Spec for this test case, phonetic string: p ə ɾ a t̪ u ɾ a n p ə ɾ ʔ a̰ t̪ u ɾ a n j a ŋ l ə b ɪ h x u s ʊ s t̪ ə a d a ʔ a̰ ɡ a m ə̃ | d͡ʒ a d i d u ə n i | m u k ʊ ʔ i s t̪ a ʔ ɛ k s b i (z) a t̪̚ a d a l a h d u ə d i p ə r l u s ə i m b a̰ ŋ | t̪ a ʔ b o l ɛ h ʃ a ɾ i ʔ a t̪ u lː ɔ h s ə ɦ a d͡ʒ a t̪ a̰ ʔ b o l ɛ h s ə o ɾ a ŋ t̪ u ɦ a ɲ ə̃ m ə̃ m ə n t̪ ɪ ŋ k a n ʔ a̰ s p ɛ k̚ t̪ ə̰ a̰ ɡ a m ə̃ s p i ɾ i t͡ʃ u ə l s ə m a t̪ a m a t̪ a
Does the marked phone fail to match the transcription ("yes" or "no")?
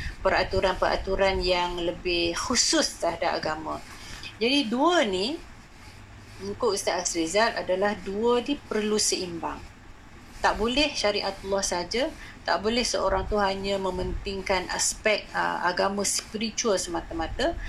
no